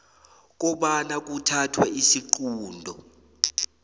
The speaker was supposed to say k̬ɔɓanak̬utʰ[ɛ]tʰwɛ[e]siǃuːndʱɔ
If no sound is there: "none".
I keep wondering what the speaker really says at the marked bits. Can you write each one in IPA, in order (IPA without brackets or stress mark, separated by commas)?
a, i